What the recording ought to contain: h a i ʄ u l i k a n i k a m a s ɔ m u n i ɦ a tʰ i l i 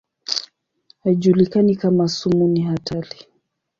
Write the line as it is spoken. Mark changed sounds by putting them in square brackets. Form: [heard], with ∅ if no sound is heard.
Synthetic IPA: h a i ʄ u l i k a n i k a m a s [u] m u n i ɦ a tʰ [a] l i